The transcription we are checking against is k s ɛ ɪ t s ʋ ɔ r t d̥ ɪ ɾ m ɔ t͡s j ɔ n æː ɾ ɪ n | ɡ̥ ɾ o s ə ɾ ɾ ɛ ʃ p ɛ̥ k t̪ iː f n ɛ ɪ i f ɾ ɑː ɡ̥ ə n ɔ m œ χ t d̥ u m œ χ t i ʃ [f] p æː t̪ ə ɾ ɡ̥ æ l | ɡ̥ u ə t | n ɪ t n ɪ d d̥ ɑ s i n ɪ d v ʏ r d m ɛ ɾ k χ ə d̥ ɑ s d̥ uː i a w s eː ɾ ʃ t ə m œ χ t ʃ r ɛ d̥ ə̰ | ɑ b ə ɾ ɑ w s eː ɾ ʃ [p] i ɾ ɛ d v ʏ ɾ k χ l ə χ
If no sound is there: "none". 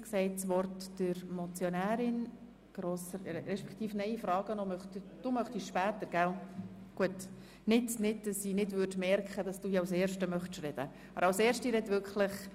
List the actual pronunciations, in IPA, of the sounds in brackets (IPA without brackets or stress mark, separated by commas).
ʃ, t